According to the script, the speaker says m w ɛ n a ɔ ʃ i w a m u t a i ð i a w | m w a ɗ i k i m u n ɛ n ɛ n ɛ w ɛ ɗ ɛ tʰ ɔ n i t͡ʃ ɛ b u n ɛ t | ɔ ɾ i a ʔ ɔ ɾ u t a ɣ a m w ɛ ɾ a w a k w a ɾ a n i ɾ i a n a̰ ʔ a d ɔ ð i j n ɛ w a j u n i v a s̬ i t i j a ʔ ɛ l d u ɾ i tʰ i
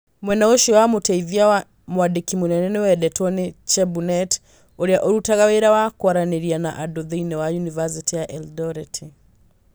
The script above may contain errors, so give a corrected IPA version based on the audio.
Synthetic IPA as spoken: m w ɛ n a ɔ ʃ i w a m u t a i ð i a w | m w a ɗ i k i m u n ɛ n ɛ n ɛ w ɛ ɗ ɛ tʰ ɔ n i t͡ʃ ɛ b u n ɛ t | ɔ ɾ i a ʔ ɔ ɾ u t a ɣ a w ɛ ɾ a w a k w a ɾ a n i ɾ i a n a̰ ʔ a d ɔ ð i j n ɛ w a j u n i v a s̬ i t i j a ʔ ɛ l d ɔ ɾ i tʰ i